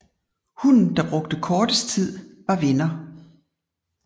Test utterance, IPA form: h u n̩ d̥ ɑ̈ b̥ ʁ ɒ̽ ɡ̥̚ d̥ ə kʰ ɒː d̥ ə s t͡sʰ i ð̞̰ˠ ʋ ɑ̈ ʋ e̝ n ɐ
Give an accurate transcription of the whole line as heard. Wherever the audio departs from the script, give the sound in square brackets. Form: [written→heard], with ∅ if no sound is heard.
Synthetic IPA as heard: h u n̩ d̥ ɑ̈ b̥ ʁ [ɒ̽→ɔ̽] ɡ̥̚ d̥ ə kʰ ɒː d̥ ə s t͡sʰ i ð̞̰ˠ ʋ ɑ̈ ʋ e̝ n ɐ